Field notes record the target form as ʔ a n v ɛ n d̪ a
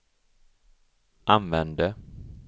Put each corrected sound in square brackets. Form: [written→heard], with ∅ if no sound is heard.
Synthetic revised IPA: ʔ a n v ɛ n d̪ [a→ə]